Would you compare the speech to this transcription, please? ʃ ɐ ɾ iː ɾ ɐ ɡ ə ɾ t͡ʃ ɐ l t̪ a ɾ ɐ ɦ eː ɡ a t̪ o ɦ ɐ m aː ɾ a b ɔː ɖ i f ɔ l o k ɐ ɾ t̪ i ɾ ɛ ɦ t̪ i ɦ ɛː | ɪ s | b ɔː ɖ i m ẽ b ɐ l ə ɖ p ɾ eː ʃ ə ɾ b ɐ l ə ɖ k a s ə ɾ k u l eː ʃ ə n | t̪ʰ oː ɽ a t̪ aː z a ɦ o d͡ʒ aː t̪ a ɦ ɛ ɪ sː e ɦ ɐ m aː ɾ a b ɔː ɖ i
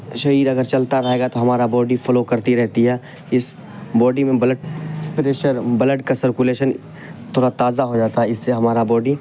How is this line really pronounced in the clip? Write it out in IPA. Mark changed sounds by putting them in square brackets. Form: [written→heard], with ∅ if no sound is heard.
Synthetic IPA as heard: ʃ ɐ ɾ iː ɾ ɐ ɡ ə ɾ t͡ʃ ɐ l t̪ a ɾ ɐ ɦ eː ɡ a t̪ o ɦ ɐ m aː ɾ a b ɔː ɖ i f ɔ l o k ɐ ɾ t̪ i ɾ ɛ ɦ t̪ i ɦ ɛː | ɪ s | b ɔː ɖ i m ẽ b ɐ l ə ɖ p ɾ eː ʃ ə ɾ b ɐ l ə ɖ k a s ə ɾ k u l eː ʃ ə n | t̪ʰ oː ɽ a t̪ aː z a ɦ o d͡ʒ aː t̪ a ɦ ɛ ɪ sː e ɦ ɐ m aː ɾ a b ɔː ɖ i